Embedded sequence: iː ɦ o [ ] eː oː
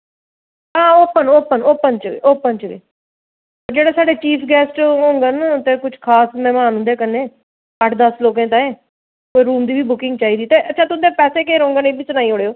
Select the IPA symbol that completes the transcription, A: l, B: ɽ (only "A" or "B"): B